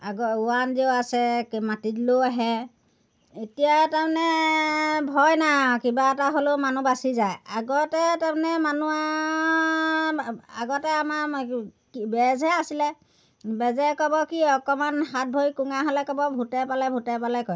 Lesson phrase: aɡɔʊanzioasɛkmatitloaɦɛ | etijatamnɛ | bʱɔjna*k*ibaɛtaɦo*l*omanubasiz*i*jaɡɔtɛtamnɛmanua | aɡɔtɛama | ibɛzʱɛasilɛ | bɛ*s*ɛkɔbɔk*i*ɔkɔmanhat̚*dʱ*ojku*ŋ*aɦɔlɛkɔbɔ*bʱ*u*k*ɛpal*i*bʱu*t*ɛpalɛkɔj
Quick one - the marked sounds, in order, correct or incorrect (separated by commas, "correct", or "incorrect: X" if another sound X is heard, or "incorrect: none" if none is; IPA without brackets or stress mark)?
correct, correct, incorrect: a, incorrect: z, correct, incorrect: bʱ, correct, correct, incorrect: t, incorrect: ɛ, correct